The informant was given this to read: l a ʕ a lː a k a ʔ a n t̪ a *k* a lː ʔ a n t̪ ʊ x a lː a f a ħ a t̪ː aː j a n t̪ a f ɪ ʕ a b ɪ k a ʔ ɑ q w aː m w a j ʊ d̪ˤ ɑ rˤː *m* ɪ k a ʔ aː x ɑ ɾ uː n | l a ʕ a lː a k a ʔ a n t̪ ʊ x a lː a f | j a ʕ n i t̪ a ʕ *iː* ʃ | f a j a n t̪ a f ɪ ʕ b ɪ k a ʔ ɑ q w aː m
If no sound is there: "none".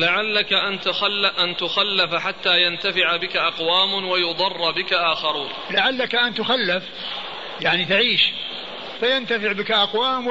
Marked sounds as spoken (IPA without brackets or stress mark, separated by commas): x, b, iː